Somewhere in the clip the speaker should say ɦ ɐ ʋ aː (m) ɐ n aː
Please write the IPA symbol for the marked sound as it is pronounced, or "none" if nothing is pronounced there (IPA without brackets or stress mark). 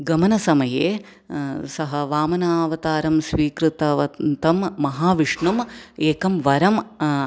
m